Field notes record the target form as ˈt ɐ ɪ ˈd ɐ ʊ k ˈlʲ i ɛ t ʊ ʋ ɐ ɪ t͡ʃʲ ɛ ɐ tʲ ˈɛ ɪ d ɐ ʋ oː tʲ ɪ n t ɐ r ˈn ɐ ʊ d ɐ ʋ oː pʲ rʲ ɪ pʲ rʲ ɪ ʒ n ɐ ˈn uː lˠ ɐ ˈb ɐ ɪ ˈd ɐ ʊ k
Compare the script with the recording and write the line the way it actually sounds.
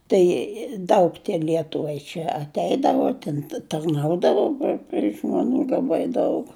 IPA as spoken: ˈt ɐ ɪ ˈd ɐ ʊ k ˈlʲ i ɛ t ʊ ʋ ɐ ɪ t͡ʃʲ ɛ ɐ tʲ ˈɛ ɪ d ɐ ʋ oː tʲ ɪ n t ɐ r ˈn ɐ ʊ d ɐ ʋ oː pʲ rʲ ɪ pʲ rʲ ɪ ʒ m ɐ ˈn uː lˠ ɐ ˈb ɐ ɪ ˈd ɐ ʊ k

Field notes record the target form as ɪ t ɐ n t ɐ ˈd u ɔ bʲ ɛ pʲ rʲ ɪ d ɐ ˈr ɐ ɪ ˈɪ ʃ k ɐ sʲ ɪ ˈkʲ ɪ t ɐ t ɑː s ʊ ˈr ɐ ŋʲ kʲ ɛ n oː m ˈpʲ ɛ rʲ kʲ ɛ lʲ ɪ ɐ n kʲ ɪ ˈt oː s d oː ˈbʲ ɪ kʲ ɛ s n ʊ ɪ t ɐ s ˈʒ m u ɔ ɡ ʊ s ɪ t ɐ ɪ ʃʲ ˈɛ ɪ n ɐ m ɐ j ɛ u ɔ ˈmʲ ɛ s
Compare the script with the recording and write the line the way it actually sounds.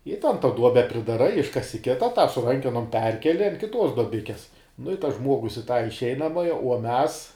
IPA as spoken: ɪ t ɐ n t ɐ ˈd u ɔ bʲ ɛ pʲ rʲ ɪ d ɐ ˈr ɐ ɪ ˈɪ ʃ k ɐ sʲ ɪ ˈkʲ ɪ t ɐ t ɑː s ʊ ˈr ɐ ŋʲ kʲ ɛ n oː m ˈpʲ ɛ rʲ kʲ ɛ lʲ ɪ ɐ n kʲ ɪ ˈt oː s d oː ˈbʲ ɪ kʲ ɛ s n ʊ ɪ t ɐ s ˈʒ m u ɔ ɡ ʊ s ɪ t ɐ ɪ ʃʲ ˈɛ ɪ n ɐ m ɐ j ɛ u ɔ ˈmʲ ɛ s

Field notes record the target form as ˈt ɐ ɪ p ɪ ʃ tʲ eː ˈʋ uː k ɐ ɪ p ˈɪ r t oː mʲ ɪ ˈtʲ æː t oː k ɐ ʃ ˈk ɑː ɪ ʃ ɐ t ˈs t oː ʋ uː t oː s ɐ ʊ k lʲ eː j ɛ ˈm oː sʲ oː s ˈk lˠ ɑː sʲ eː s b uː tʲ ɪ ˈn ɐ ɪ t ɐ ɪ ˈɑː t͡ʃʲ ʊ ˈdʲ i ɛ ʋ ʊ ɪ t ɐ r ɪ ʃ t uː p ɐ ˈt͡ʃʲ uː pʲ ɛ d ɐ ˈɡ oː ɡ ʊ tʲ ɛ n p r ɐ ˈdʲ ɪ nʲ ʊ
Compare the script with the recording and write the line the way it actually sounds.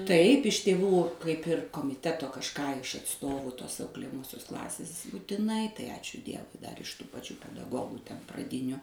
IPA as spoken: ˈt ɐ ɪ p ɪ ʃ tʲ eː ˈʋ uː k ɐ ɪ p ˈɪ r k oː mʲ ɪ ˈtʲ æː t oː k ɐ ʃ ˈk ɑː ɪ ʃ ɐ t ˈs t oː ʋ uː t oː s ɐ ʊ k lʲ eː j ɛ ˈm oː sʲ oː s ˈk lˠ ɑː sʲ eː s b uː tʲ ɪ ˈn ɐ ɪ t ɐ ɪ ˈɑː t͡ʃʲ ʊ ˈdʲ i ɛ ʋ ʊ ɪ d ɐ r ɪ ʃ t uː p ɐ ˈt͡ʃʲ uː pʲ ɛ d ɐ ˈɡ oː ɡ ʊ tʲ ɛ n p r ɐ ˈdʲ ɪ nʲ ʊ

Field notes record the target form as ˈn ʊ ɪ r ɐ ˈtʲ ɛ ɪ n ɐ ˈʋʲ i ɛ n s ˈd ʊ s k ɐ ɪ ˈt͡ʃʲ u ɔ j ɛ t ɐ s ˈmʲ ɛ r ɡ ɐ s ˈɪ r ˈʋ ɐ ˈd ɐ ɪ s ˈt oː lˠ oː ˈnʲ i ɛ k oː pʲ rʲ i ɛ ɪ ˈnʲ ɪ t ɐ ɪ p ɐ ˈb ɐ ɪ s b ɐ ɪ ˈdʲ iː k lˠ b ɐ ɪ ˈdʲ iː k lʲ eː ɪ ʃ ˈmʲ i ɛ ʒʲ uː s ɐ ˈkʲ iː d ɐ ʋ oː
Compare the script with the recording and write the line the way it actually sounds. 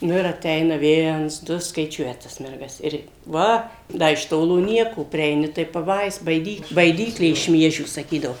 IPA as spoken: ˈn ʊ ɪ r ɐ ˈtʲ ɛ ɪ n ɐ ˈʋʲ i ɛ n s ˈd ʊ s k ɐ ɪ ˈt͡ʃʲ u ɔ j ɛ t ɐ s ˈmʲ ɛ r ɡ ɐ s ˈɪ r ˈʋ ɐ ˈd ɐ ɪ ʃ ˈt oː lˠ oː ˈnʲ i ɛ k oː pʲ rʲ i ɛ ɪ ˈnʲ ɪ t ɐ ɪ p ɐ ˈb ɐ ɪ s b ɐ ɪ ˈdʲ iː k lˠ b ɐ ɪ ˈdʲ iː k lʲ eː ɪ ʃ ˈmʲ i ɛ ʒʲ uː s ɐ ˈkʲ iː d ɐ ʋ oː

